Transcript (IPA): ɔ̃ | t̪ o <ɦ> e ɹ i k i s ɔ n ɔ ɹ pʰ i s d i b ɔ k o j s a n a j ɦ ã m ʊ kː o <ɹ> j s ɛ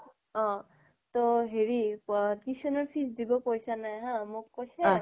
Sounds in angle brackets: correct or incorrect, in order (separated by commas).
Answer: correct, incorrect